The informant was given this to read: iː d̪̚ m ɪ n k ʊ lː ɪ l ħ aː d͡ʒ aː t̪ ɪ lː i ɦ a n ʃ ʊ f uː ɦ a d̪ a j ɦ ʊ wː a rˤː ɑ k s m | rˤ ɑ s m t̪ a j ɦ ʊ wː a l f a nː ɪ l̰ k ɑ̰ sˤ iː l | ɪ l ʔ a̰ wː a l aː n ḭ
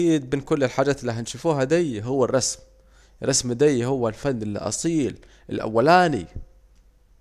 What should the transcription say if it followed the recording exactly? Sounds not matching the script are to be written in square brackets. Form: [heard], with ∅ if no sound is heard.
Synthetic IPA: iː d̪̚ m ɪ n k ʊ lː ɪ l ħ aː d͡ʒ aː t̪ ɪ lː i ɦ a n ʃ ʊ f uː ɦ a d̪ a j ɦ ʊ wː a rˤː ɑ [∅] s m | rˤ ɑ s m [d̪] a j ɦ ʊ wː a l f a nː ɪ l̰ [ʔ] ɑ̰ sˤ iː l | ɪ l ʔ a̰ wː a l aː n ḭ